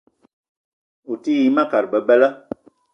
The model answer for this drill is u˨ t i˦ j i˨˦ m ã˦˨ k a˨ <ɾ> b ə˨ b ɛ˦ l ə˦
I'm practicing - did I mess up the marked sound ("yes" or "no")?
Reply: no